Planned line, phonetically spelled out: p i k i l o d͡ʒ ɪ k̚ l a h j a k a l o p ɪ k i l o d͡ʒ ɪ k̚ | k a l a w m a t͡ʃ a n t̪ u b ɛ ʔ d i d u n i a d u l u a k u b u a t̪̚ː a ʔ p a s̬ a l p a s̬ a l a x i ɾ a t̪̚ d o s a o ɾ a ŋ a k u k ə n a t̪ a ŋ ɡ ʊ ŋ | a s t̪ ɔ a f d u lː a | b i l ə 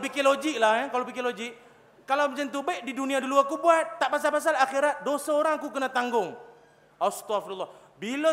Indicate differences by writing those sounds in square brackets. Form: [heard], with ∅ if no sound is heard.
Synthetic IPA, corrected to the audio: p i k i l o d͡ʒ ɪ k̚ l a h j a k a l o p [i] k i l o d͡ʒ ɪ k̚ | k a l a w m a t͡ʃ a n t̪ u b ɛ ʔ d i d u n i a d u l u a k u b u a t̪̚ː a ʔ p a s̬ a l p a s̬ a l a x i ɾ a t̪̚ d o s a o ɾ a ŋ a k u k ə n a t̪ a ŋ ɡ ʊ ŋ | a s t̪ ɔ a f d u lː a | b i l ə